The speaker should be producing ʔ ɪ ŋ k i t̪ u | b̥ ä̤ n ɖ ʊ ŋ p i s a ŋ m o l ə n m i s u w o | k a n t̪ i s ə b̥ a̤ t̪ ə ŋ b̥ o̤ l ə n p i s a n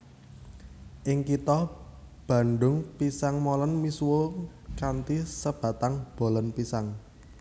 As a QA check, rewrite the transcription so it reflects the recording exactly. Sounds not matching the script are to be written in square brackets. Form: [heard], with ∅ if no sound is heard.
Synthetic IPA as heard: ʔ ɪ ŋ k i t̪ [ɔ] | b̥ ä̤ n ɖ ʊ ŋ p i s a ŋ m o l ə n m i s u w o | k a n t̪ i s ə b̥ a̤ t̪ [a] ŋ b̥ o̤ l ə n p i s a [ŋ]